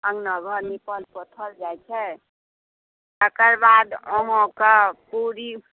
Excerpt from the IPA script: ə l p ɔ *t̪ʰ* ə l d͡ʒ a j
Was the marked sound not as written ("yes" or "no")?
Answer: no